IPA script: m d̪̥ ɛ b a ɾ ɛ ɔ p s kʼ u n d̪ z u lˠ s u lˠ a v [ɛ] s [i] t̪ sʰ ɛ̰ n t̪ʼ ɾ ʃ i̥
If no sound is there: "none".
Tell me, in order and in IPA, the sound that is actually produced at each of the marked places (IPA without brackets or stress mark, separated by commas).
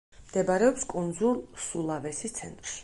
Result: ɛ, i